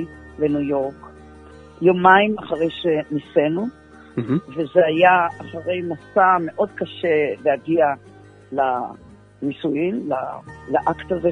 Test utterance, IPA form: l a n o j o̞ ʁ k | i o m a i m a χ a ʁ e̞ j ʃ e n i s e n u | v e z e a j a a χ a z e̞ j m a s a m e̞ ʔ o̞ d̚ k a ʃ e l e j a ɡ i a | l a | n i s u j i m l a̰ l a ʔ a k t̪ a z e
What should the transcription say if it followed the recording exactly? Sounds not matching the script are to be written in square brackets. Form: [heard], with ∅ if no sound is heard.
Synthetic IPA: l [e] n [u] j o̞ ʁ k | [j] o m a i m a χ a ʁ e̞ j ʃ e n i s e n u | v e z e a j a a χ a [ʁ] e̞ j m a s a m e̞ ʔ o̞ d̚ k a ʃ e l e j a ɡ i a | l a | n i s u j i m l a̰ l a ʔ a k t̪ a z e